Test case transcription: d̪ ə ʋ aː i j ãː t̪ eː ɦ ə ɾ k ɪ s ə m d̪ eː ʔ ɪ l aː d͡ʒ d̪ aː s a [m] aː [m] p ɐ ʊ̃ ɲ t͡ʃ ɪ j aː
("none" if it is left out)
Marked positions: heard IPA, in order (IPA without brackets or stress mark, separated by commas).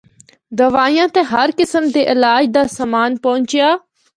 m, n